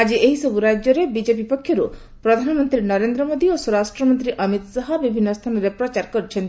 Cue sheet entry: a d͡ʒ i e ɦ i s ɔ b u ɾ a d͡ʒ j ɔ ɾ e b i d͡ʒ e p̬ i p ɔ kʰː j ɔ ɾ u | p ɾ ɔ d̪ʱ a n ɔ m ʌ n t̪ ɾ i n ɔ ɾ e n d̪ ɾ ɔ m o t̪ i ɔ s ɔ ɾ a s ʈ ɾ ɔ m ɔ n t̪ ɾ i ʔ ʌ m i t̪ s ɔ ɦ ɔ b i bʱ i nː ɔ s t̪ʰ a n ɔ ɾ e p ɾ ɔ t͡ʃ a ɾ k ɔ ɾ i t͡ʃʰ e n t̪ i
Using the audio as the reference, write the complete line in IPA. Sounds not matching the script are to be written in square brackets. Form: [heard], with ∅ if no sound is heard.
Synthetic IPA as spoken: a d͡ʒ i e ɦ i s ɔ b u ɾ a d͡ʒ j ɔ ɾ e b i d͡ʒ e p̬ i p ɔ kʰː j ɔ ɾ u | p ɾ ɔ d̪ʱ a n ɔ m [ɔ] n t̪ ɾ i n ɔ ɾ e n d̪ ɾ ɔ m o [d̪] i [o] s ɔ ɾ a s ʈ ɾ ɔ m ɔ n t̪ ɾ i ʔ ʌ m i t̪ s ɔ ɦ ɔ b i bʱ i nː ɔ s t̪ʰ a n ɔ ɾ e p ɾ ɔ t͡ʃ a ɾ k ɔ ɾ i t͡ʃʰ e n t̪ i

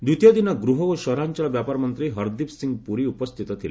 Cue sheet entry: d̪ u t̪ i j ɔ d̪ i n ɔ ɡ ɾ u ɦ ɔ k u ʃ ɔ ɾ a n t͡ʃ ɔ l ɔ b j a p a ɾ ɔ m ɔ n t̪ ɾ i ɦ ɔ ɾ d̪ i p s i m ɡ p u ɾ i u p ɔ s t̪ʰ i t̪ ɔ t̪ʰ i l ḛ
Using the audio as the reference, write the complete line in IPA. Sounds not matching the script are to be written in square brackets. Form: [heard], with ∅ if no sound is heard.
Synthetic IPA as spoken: d̪ u t̪ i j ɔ d̪ i n ɔ ɡ ɾ u ɦ ɔ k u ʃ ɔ ɾ a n t͡ʃ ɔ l ɔ b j a p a ɾ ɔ m ɔ n t̪ ɾ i ɦ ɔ ɾ d̪ i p s i [ŋ] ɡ p u ɾ i u p ɔ s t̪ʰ i t̪ ɔ t̪ʰ i l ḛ

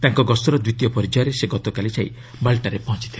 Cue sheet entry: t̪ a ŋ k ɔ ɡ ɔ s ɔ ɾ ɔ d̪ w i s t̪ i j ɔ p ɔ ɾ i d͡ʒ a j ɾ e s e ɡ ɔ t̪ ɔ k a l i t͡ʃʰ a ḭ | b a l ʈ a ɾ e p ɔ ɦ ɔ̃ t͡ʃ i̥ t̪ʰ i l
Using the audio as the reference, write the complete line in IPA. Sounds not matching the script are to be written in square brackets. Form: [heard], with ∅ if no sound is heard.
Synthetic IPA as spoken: t̪ a ŋ k ɔ ɡ ɔ s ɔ ɾ ɔ d̪ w i [∅] t̪ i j ɔ p ɔ ɾ i d͡ʒ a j ɾ e s e ɡ ɔ t̪ ɔ k a l i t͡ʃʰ a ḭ | b a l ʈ a ɾ e p ɔ ɦ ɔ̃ t͡ʃ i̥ t̪ʰ i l

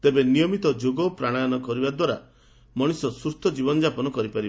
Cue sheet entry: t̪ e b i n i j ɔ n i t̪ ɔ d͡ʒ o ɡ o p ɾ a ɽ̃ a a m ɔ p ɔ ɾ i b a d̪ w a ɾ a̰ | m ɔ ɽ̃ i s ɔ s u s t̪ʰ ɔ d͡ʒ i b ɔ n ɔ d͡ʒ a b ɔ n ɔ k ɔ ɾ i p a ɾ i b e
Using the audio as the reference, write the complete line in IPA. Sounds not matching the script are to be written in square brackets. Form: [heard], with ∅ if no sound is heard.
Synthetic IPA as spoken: t̪ e b [e] n i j ɔ [m] i t̪ ɔ d͡ʒ o ɡ [ɔ] p ɾ a ɽ̃ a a [n] ɔ [k] ɔ ɾ i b a d̪ w a ɾ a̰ | m ɔ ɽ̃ i s ɔ s u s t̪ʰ ɔ d͡ʒ i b ɔ n ɔ d͡ʒ a [p] ɔ n ɔ k ɔ ɾ i p a ɾ i b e

